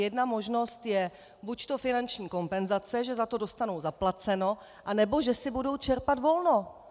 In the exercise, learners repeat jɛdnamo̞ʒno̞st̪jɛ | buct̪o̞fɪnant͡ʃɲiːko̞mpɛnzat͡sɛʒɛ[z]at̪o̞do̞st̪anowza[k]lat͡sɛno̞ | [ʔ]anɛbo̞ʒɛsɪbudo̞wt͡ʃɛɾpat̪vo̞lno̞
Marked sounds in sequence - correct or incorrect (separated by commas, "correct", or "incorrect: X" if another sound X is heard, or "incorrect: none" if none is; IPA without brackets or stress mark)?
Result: correct, incorrect: p, correct